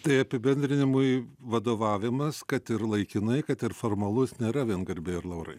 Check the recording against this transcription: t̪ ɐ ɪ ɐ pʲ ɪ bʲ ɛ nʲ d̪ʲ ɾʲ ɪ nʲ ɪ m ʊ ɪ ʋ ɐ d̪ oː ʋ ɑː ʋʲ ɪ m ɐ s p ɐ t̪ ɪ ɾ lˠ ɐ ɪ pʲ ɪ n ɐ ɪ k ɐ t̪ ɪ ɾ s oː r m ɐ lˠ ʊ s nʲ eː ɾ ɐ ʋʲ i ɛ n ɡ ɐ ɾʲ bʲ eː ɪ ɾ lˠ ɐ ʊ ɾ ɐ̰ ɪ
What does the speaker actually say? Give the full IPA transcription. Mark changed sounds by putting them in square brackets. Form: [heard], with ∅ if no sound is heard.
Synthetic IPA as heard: t̪ ɐ ɪ ɐ pʲ ɪ bʲ ɛ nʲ d̪ʲ ɾʲ ɪ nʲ ɪ m ʊ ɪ ʋ ɐ d̪ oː ʋ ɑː ʋʲ ɪ m ɐ s [k] ɐ t̪ ɪ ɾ lˠ ɐ ɪ [kʲ] ɪ n ɐ ɪ k ɐ t̪ ɪ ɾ [f] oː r m ɐ lˠ ʊ s nʲ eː ɾ ɐ ʋʲ i ɛ n ɡ ɐ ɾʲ bʲ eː ɪ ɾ lˠ ɐ ʊ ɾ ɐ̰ ɪ